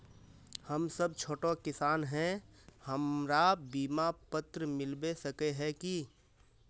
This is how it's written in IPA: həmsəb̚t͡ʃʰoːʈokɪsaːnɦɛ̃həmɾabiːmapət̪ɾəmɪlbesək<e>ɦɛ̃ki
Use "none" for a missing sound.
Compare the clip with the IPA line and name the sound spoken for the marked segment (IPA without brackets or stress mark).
e